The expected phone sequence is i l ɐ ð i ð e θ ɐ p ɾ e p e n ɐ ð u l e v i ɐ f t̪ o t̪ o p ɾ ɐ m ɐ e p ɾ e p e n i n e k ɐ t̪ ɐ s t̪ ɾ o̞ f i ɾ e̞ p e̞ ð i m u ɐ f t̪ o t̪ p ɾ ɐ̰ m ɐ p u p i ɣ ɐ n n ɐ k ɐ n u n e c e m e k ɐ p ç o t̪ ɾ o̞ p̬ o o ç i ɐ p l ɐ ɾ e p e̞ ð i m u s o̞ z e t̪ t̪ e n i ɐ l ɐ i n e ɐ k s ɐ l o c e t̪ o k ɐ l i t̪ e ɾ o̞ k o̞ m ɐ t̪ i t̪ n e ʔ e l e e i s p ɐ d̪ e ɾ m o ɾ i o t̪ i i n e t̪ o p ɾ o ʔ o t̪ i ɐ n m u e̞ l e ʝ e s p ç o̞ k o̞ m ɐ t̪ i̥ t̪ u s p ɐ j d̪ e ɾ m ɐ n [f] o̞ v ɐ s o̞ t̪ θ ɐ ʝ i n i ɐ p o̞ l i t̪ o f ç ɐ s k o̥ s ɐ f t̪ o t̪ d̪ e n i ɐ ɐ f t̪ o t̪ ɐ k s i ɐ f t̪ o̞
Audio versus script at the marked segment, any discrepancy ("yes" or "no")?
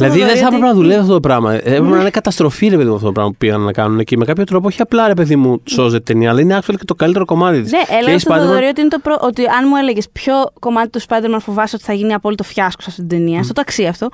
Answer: no